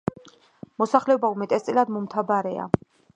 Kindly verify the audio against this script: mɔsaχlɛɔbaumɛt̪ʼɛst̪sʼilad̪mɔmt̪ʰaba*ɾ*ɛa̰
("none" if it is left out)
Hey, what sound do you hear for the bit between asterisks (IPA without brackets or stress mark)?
ɾ